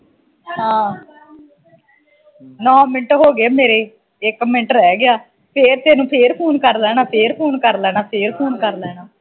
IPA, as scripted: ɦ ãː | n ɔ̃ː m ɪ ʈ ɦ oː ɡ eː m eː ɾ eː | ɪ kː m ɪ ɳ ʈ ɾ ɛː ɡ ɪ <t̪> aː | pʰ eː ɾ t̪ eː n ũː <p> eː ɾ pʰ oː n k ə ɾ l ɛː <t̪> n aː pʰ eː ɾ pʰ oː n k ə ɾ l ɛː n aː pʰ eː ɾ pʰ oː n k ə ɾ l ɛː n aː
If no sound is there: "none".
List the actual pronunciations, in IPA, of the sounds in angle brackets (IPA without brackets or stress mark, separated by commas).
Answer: none, pʰ, none